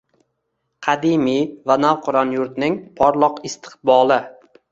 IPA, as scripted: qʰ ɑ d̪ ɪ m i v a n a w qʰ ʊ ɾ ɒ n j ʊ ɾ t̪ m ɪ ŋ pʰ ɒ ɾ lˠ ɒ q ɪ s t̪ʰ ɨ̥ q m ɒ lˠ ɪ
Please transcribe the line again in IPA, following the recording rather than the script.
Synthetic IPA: qʰ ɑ d̪ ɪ m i v a n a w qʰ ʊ ɾ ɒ n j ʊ ɾ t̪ n ɪ ŋ pʰ ɒ ɾ lˠ ɒ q ɪ s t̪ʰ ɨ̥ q b ɒ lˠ ɪ

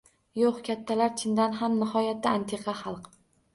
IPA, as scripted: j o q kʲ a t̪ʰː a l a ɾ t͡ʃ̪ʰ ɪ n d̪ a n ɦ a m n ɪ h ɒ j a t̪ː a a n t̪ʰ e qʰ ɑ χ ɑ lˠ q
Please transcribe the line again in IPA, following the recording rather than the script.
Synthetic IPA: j o q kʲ a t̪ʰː a l a ɾ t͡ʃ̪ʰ ɪ n d̪ a n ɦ a m n ɪ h ɒ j a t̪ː a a n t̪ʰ e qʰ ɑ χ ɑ lˠ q

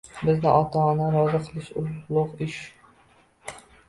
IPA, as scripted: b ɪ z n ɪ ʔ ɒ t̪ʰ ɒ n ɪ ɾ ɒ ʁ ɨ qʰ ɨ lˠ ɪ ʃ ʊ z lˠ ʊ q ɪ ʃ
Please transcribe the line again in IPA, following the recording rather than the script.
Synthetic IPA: b ɪ z n ɪ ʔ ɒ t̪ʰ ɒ n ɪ ɾ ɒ z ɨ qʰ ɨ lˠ ɪ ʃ ʊ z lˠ ʊ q ɪ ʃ

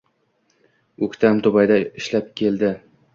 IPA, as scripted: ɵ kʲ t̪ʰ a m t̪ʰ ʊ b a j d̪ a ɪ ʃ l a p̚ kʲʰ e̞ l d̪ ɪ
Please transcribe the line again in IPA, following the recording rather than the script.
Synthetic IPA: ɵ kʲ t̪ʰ a m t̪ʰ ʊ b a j d̪ a ɪ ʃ l a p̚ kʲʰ e̞ l d̪ ɪ

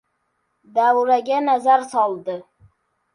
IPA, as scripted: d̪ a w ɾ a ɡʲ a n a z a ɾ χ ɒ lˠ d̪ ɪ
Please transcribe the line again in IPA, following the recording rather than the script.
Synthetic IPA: d̪ a w ɾ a ɡʲ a n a z a ɾ s ɒ lˠ d̪ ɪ

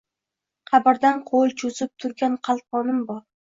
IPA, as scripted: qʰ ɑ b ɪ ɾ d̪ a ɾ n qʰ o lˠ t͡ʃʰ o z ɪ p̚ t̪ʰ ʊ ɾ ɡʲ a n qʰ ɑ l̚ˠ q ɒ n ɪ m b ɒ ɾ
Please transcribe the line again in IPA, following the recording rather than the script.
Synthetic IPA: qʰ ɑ b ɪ ɾ d̪ a n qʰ o lˠ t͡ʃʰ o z ɪ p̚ t̪ʰ ʊ ɾ ɡʲ a n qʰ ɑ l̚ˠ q ɒ n ɪ m b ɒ ɾ

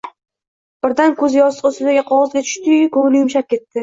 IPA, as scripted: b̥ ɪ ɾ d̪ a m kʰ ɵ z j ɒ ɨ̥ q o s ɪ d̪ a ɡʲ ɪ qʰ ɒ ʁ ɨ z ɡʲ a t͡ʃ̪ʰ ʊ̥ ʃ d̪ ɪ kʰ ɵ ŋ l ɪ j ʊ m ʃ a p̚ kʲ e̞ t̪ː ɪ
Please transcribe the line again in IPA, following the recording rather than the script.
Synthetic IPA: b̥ ɪ ɾ d̪ a n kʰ ɵ z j ɒ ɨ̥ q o s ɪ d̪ a ɡʲ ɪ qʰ ɒ ʁ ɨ z ɡʲ a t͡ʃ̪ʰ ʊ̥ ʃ t̪ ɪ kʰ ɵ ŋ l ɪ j ʊ m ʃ a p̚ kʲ e̞ t̪ː ɪ

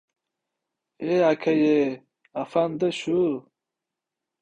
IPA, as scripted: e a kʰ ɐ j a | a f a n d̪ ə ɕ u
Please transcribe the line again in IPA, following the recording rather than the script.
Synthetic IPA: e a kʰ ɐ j e | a f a n d̪ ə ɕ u

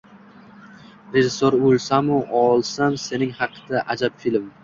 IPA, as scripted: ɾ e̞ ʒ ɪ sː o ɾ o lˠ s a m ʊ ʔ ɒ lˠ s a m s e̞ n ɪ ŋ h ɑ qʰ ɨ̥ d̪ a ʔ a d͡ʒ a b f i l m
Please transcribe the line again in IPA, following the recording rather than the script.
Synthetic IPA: ɾ e̞ ʒ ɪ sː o ɾ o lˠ s a m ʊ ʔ ɒ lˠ s a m s e̞ n ɪ ŋ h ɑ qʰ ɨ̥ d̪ a ʔ a d͡ʒ a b f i l m

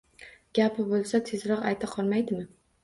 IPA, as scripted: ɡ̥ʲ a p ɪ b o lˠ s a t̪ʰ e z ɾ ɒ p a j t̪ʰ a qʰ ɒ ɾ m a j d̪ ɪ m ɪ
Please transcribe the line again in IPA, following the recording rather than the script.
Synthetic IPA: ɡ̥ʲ a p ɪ b o lˠ s a t̪ʰ e z ɾ ɒ q a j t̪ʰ a qʰ ɒ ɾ m a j d̪ ɪ m ɪ

